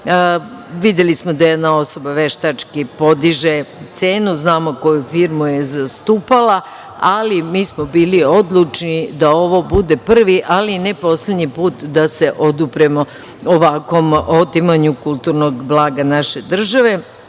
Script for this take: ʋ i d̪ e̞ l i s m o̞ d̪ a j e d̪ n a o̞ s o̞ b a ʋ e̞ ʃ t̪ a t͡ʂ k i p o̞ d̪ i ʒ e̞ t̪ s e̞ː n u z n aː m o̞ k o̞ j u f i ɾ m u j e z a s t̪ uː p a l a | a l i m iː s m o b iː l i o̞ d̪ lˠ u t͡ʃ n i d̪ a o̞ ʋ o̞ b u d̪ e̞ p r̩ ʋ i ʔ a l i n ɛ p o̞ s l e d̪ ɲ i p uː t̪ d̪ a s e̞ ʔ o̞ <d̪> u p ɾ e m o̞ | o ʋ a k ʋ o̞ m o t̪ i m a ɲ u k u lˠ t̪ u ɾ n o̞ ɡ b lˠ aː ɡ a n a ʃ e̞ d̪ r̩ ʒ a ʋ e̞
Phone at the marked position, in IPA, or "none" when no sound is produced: d̪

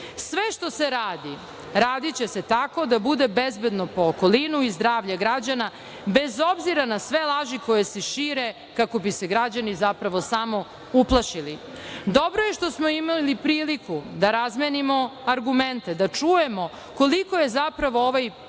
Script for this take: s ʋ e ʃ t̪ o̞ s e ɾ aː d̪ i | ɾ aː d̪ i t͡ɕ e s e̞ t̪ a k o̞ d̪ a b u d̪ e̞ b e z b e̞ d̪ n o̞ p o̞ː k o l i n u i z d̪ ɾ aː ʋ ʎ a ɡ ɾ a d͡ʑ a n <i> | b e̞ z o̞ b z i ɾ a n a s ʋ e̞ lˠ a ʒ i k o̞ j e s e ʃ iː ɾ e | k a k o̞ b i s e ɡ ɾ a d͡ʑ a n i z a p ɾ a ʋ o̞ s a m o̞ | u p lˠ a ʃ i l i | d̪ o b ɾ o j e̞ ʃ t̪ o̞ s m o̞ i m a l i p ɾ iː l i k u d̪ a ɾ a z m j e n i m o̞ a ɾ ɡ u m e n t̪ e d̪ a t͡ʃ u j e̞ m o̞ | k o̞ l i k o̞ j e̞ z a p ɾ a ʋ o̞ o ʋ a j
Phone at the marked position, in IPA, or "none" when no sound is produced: a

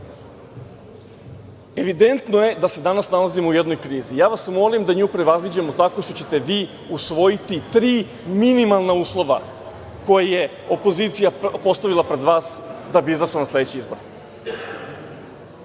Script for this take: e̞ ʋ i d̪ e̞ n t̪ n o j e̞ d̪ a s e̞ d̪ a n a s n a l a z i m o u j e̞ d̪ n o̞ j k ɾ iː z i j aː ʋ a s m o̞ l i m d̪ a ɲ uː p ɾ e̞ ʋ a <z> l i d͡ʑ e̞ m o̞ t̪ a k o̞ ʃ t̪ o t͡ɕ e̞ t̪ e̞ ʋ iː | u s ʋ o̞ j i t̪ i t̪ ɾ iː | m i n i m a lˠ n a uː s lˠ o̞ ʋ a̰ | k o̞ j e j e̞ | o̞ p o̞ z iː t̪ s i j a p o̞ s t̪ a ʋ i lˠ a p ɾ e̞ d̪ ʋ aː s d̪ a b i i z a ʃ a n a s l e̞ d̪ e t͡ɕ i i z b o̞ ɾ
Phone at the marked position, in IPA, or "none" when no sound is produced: z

